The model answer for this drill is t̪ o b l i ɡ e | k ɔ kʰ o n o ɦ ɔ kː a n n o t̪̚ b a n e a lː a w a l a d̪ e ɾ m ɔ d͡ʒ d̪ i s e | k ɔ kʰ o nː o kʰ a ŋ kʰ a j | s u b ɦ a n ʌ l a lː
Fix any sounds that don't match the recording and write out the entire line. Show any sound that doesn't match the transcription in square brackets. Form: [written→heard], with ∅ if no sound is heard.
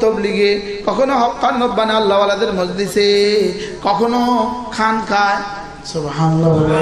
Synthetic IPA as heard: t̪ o b l i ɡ e | k ɔ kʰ o n o ɦ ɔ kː a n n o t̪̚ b a n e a lː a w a l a d̪ e ɾ m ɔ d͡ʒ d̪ i s e | k ɔ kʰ o [nː→n] o kʰ a [ŋ→n] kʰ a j | s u b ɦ a n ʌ l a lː

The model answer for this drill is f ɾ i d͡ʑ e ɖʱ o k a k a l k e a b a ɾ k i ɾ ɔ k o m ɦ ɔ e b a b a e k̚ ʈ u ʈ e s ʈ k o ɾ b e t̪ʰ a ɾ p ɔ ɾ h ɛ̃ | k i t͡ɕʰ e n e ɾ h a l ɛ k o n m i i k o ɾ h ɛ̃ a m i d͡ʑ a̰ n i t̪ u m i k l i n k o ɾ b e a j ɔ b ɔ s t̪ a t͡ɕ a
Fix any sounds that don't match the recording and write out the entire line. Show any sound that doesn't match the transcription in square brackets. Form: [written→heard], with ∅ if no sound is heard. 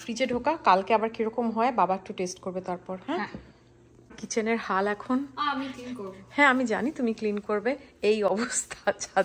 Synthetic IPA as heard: f ɾ i d͡ʑ e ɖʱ o k a k a l k e a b a ɾ k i ɾ ɔ k o m ɦ ɔ e b a b a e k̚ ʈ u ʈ e s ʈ k o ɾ b e [t̪ʰ→t̪] a ɾ p ɔ ɾ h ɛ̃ | k i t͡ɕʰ e n e ɾ h a l ɛ [k→kʰ] o n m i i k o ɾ h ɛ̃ a m i d͡ʑ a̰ n i t̪ u m i k l i n k o ɾ b e [a→e] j ɔ b [ɔ→o] s [t̪→t̪ʰ] a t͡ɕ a

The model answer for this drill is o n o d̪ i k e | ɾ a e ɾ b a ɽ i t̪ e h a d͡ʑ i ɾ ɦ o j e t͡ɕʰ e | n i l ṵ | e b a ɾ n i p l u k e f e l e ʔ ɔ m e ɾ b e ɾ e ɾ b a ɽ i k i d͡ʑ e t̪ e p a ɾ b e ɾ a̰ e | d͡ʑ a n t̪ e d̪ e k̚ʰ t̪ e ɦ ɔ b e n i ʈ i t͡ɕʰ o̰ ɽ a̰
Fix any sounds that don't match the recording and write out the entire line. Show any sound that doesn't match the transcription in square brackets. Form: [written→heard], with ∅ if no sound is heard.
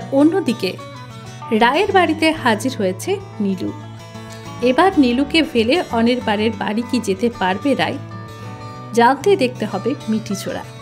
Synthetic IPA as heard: o [n→nː] o d̪ i k e | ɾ a e ɾ b a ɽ i t̪ e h a d͡ʑ i ɾ ɦ o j e t͡ɕʰ e | n i l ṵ | e b a ɾ n i [p→∅] l u k e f e l e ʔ ɔ [m→n] e ɾ b [e→a] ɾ e ɾ b a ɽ i k i d͡ʑ e t̪ e p a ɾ b e ɾ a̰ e | d͡ʑ a n t̪ e d̪ e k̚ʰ t̪ e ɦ ɔ b e [n→m] i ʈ i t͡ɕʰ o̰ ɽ a̰

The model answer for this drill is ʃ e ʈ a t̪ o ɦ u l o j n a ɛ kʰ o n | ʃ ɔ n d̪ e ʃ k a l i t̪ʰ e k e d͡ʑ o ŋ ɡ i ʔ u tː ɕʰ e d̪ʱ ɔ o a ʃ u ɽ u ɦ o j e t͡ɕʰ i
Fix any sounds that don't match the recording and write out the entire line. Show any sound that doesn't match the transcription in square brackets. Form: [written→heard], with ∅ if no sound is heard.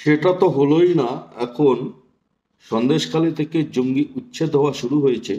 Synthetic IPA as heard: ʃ e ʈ a t̪ o ɦ [u→o] l o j n a ɛ kʰ o n | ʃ ɔ n d̪ e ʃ k a l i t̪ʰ e k e d͡ʑ o ŋ ɡ i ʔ u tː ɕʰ e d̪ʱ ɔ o a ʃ u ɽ u ɦ o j e t͡ɕʰ [i→e]

